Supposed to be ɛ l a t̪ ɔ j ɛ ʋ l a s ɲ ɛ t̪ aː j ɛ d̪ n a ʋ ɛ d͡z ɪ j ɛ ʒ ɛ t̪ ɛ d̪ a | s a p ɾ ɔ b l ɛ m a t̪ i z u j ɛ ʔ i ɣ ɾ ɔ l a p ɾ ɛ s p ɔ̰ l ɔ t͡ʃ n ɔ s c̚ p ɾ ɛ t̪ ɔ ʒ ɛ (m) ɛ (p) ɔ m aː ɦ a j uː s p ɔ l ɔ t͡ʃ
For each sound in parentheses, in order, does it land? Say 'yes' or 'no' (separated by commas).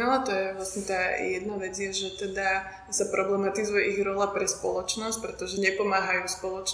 no, yes